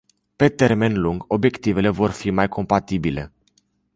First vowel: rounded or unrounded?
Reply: unrounded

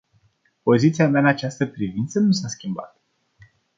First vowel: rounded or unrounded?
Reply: rounded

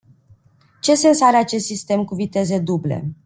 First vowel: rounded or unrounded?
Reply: unrounded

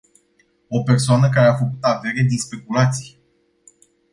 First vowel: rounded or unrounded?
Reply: rounded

